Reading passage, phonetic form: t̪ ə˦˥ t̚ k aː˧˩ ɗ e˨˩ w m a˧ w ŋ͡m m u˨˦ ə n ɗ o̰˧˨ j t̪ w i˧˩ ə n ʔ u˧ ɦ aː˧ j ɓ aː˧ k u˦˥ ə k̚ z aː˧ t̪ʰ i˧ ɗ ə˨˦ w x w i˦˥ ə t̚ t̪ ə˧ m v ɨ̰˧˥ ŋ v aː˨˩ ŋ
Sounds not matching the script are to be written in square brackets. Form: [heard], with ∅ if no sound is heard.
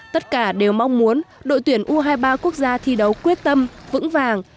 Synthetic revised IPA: t̪ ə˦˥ t̚ k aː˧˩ ɗ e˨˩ w m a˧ w ŋ͡m m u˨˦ ə n ɗ o̰˧˨ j t̪ w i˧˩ ə n ʔ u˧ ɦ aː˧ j ɓ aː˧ k u˦˥ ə k̚ z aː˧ t̪ʰ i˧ ɗ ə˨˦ w [k] w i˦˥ ə t̚ t̪ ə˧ m v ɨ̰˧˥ ŋ v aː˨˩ ŋ